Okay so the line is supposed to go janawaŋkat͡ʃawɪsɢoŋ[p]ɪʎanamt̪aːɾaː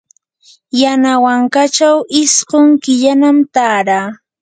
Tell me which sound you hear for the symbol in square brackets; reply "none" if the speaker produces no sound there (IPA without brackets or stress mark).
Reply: k